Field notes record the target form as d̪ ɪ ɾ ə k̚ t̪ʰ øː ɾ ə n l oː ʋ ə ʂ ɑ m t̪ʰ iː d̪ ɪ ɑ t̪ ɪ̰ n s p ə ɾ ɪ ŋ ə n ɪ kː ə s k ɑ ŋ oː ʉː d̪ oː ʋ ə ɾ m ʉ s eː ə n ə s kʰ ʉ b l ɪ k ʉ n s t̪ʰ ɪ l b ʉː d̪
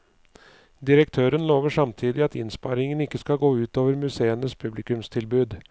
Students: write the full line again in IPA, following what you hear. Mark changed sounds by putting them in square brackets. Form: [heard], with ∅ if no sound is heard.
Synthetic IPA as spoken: d̪ ɪ ɾ ə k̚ t̪ʰ øː ɾ ə n l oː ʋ ə ʂ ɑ m t̪ʰ iː d̪ ɪ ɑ t̪ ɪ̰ n s p [ɑ] ɾ ɪ ŋ ə n ɪ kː ə s k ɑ [ɡ] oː ʉː [t̪] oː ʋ ə ɾ m ʉ s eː ə n ə s [pʰ] ʉ b l ɪ k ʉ [m] s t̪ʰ ɪ l b ʉː d̪